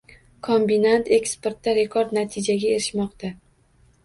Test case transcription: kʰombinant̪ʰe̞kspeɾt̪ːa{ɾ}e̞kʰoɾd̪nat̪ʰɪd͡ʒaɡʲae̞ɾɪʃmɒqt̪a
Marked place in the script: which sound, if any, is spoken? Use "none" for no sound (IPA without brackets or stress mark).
ɾ